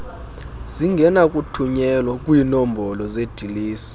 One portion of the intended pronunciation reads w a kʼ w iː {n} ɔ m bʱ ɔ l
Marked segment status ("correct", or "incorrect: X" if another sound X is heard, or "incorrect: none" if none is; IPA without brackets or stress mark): correct